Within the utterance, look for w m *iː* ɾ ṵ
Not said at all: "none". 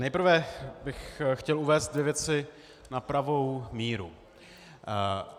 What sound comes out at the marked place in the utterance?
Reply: iː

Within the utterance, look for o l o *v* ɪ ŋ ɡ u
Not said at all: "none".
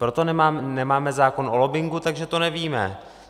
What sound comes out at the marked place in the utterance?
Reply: b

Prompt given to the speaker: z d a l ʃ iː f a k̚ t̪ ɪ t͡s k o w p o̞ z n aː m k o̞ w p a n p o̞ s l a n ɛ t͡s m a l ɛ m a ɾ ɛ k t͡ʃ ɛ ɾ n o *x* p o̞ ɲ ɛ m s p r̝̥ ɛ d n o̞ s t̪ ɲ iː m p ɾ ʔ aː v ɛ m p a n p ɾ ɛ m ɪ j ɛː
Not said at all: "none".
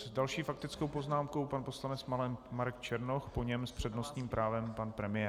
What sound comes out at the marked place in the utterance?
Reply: x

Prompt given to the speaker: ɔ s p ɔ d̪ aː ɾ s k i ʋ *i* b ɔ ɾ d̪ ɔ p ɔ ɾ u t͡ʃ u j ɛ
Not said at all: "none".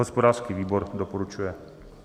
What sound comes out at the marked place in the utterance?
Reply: iː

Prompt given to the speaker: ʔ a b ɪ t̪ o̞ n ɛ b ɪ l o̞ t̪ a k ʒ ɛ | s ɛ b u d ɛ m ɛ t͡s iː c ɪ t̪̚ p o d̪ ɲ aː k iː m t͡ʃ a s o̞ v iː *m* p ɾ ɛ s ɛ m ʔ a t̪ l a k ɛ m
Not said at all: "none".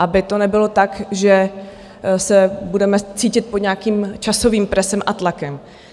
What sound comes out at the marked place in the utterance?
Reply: m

